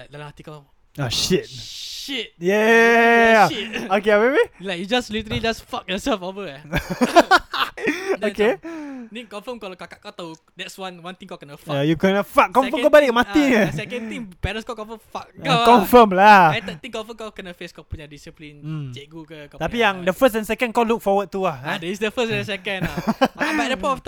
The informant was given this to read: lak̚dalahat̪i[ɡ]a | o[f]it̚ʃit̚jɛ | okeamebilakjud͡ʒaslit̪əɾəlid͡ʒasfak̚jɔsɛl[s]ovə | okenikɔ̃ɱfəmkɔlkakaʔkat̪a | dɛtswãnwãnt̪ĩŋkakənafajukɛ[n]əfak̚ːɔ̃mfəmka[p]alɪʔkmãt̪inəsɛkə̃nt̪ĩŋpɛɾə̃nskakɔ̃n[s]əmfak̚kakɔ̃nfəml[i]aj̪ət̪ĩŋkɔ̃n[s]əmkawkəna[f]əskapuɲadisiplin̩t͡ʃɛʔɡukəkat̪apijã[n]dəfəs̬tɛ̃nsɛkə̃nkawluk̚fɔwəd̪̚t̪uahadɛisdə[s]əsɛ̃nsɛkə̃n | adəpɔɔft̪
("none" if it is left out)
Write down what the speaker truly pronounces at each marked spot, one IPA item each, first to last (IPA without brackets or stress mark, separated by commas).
k, ʃ, f, n, b, f, a, f, f, ŋ, f